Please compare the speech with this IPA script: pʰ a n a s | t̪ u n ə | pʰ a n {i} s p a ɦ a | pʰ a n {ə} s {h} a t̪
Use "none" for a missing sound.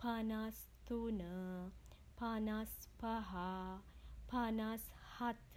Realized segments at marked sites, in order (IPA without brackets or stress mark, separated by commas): a, a, h